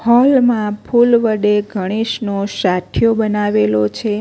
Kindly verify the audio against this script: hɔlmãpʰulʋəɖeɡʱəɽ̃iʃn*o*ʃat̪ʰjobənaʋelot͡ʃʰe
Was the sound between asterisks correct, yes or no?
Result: yes